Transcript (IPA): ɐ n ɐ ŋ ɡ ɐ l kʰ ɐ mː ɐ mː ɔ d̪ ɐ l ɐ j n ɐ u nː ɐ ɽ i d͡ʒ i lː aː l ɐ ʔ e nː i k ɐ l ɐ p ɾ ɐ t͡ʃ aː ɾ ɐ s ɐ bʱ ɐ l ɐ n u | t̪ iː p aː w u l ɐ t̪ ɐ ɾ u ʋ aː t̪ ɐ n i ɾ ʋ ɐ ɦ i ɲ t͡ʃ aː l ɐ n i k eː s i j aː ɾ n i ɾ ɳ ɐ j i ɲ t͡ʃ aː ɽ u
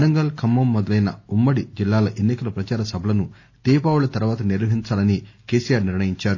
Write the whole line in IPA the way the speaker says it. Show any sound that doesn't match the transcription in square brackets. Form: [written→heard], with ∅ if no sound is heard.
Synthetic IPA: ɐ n ɐ ŋ ɡ ɐ l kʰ ɐ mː ɐ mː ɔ d̪ ɐ l ɐ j n ɐ u [nː→mː] ɐ ɽ i d͡ʒ i lː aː l ɐ ʔ e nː i k ɐ l ɐ p ɾ ɐ t͡ʃ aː ɾ ɐ s ɐ bʱ ɐ l ɐ n u | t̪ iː p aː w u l ɐ t̪ ɐ ɾ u ʋ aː t̪ ɐ n i ɾ ʋ ɐ ɦ i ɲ t͡ʃ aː l ɐ n i k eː s i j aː ɾ n i ɾ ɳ ɐ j i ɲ t͡ʃ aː [ɽ→ɾ] u